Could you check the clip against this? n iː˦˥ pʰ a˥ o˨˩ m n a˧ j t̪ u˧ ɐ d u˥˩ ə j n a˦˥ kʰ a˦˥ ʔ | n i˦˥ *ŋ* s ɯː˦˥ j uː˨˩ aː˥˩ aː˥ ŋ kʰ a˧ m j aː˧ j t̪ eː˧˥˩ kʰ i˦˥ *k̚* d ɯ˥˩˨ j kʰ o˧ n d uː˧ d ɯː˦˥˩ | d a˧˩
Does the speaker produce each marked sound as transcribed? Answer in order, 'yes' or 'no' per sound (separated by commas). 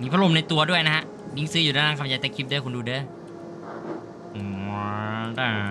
yes, no